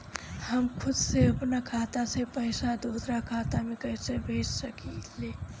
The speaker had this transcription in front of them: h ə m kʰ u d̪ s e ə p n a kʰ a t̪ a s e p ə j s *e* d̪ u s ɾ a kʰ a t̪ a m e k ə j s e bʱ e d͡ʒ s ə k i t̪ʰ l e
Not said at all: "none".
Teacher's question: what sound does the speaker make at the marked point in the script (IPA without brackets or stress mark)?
a